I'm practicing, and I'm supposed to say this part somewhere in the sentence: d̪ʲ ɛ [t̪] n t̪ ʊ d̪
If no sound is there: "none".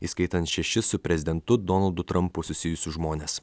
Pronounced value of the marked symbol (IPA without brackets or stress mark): none